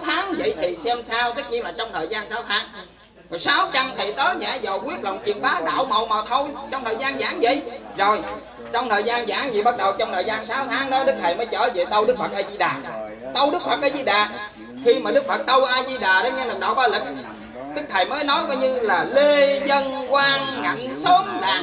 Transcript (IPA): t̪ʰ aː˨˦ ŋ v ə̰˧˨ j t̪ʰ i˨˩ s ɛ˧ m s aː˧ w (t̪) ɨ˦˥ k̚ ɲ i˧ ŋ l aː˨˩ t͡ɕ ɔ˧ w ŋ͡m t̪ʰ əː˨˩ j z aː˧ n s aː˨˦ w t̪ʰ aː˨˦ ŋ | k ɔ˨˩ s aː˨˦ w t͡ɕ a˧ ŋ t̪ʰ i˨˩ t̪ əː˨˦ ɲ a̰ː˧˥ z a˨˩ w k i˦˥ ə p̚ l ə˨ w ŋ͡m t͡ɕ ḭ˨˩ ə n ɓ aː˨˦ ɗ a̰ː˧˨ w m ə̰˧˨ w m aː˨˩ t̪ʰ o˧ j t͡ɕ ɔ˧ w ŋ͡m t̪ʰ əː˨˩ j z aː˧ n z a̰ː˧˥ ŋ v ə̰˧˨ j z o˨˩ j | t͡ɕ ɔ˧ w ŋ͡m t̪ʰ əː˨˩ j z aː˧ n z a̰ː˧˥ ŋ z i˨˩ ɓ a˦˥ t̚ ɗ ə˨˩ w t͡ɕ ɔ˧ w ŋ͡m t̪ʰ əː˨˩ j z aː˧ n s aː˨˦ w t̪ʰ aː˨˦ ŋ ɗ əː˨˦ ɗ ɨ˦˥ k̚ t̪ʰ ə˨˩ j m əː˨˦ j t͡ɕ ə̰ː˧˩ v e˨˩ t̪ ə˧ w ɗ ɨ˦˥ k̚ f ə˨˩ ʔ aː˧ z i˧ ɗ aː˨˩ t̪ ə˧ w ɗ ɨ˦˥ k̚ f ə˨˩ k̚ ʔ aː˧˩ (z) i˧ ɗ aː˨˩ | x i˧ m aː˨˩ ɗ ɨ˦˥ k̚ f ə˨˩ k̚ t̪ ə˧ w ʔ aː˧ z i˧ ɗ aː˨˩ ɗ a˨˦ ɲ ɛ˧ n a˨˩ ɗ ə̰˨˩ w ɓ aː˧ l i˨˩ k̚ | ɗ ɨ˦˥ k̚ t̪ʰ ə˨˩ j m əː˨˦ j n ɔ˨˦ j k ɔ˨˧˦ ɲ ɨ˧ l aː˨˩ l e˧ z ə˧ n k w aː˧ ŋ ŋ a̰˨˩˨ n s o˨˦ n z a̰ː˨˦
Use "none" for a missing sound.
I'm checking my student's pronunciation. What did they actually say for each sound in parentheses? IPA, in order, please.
t̪, z

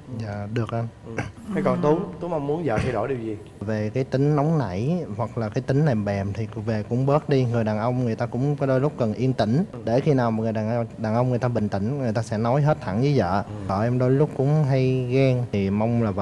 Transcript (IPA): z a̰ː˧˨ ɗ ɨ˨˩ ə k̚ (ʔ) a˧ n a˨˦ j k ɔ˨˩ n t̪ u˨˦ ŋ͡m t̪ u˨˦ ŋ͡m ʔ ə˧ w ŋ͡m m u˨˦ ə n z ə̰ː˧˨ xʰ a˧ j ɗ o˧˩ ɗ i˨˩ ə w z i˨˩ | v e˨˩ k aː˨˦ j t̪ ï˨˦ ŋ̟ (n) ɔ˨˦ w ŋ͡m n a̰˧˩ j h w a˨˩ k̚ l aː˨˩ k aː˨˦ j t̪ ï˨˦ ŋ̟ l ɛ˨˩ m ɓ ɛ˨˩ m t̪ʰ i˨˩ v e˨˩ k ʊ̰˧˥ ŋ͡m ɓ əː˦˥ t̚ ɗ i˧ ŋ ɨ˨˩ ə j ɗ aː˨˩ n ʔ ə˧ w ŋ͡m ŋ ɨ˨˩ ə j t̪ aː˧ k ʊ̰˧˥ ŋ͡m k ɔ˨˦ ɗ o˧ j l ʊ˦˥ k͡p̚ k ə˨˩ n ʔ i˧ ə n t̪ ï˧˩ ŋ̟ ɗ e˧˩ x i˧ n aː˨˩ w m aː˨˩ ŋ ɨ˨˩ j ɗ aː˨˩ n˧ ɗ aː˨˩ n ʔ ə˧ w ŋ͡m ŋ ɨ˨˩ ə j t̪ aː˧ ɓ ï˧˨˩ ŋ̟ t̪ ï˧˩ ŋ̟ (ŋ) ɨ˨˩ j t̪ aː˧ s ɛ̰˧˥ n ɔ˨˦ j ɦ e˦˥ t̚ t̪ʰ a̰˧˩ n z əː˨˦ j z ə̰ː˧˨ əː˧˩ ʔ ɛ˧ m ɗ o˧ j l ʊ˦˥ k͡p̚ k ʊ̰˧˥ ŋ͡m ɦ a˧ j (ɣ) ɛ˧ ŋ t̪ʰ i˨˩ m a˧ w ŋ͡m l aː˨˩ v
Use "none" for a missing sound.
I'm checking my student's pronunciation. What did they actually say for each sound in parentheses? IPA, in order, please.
ʔ, n, ŋ, ɣ

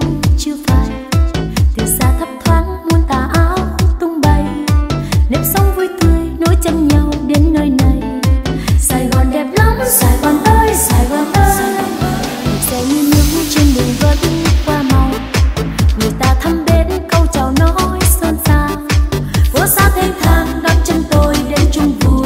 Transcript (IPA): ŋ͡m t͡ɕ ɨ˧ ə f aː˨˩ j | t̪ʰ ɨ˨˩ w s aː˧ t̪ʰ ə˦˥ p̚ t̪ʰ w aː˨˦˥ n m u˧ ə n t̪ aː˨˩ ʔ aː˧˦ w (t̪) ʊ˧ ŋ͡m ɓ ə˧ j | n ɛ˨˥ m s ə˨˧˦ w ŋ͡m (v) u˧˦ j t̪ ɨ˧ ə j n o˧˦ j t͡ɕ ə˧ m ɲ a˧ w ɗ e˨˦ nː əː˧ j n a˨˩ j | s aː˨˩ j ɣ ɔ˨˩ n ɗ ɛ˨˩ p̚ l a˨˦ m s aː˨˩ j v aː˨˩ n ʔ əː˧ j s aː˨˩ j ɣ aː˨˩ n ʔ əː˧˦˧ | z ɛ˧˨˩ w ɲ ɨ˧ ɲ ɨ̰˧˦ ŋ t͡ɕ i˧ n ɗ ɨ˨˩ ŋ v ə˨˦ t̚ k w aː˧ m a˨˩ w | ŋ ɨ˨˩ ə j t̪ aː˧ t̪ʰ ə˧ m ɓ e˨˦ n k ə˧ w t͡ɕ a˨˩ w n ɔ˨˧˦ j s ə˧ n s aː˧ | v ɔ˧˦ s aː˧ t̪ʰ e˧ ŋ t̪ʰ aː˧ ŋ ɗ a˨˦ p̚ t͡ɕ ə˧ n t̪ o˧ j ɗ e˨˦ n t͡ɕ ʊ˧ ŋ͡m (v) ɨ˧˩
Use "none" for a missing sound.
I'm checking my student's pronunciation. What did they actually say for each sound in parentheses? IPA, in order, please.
t̪, v, v

